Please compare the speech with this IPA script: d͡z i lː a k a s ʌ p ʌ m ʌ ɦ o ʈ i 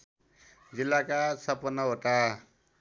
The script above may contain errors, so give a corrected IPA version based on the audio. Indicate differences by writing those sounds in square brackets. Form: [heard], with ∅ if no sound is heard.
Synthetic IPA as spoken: d͡z i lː a k a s ʌ p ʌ [n] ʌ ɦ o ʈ [a]